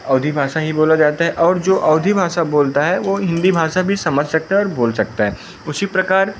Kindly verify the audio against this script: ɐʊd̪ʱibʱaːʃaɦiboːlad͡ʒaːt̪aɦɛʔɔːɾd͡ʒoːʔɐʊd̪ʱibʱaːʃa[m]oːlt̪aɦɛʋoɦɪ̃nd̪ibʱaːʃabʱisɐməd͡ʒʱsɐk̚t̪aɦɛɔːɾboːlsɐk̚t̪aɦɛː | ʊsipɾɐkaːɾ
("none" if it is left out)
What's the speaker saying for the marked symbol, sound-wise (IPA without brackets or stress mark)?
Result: b